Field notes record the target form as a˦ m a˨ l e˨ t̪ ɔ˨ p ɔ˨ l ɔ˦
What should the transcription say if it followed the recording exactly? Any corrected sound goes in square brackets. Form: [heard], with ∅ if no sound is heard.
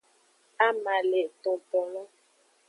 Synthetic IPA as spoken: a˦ m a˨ l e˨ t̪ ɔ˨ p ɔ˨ l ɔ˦